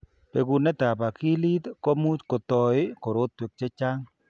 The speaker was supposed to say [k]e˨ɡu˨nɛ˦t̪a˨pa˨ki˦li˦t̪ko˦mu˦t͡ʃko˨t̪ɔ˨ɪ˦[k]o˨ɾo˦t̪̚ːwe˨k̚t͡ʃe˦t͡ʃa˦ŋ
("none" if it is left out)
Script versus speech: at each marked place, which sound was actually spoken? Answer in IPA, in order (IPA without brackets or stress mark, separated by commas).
p, k